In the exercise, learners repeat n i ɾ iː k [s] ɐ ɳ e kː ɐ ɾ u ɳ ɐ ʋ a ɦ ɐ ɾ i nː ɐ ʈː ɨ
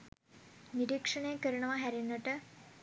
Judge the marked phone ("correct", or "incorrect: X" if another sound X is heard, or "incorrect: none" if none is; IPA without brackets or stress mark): incorrect: ʂ